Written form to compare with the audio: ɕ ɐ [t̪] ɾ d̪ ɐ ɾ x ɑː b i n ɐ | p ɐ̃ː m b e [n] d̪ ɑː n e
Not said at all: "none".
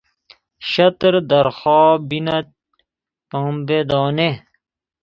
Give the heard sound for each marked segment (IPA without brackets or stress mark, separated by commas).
t̪, none